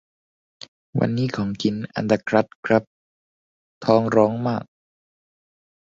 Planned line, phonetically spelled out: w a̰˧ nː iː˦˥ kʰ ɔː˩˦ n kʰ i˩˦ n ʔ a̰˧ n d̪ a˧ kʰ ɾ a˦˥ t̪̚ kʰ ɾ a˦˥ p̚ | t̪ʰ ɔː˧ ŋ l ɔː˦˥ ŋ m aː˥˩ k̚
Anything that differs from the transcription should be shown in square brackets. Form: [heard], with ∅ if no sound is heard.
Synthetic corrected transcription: w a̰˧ nː iː˦˥ kʰ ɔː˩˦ [ŋ] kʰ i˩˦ n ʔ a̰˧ n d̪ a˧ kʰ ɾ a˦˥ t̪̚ kʰ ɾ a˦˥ p̚ | t̪ʰ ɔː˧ ŋ [ɾ] ɔː˦˥ ŋ m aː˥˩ k̚